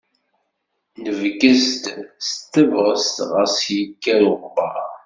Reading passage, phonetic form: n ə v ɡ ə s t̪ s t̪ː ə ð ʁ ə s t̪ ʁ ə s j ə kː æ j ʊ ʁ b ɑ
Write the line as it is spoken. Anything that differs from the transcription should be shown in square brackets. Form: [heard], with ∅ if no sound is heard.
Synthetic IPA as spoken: n ə v ɡ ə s t̪ s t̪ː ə [v] ʁ ə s t̪ ʁ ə s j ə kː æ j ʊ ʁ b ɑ